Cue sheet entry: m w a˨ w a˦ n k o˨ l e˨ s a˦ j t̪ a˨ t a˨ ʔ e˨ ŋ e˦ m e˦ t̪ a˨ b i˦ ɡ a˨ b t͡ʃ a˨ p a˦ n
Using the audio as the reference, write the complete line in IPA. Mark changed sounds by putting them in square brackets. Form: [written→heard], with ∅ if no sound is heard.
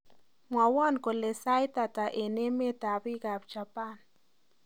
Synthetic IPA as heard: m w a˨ w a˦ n k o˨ l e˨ s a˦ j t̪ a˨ t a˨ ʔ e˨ [ŋ→n] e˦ m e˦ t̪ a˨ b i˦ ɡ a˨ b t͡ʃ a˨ p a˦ n